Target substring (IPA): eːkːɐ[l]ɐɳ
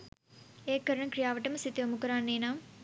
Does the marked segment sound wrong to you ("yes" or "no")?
yes